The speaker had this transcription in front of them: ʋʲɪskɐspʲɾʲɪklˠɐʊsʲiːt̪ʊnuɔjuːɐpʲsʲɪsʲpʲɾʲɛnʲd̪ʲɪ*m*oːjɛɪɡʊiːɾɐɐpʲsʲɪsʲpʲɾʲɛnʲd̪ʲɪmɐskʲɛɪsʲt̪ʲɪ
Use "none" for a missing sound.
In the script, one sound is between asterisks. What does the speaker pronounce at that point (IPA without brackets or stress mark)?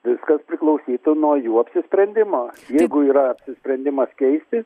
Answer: m